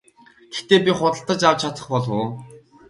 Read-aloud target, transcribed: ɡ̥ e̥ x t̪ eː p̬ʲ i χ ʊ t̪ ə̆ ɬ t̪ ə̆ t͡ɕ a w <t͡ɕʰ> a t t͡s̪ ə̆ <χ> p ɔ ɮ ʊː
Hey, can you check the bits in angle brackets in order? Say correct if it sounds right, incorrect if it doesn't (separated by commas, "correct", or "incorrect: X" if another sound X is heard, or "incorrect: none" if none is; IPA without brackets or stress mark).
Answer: correct, correct